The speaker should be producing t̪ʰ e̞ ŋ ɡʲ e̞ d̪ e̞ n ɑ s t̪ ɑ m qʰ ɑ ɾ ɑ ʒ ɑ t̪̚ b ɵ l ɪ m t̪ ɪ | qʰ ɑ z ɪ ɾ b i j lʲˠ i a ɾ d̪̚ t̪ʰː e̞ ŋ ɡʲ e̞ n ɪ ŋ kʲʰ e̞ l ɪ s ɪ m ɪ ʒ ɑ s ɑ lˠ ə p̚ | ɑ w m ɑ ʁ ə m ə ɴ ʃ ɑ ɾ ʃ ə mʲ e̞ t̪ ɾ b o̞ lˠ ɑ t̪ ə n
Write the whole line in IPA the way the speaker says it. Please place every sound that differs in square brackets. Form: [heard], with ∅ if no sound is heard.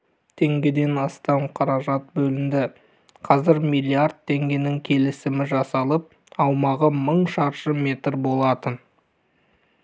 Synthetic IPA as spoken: t̪ʰ e̞ ŋ ɡʲ e̞ d̪ e̞ n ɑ s t̪ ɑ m qʰ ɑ ɾ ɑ ʒ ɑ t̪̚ b ɵ l ɪ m [d̪] ɪ | qʰ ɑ z ɪ ɾ [m] i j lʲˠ i a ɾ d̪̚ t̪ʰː e̞ ŋ ɡʲ e̞ n ɪ ŋ kʲʰ e̞ l ɪ s ɪ m ɪ ʒ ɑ s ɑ lˠ ə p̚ | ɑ w m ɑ ʁ ə m ə ɴ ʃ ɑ ɾ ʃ ə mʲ e̞ t̪ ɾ b o̞ lˠ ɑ t̪ ə n